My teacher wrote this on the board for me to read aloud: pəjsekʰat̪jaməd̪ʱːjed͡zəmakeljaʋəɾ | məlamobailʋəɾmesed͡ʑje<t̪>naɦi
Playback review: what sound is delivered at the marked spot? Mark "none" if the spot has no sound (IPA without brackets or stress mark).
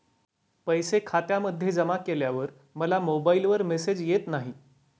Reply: t̪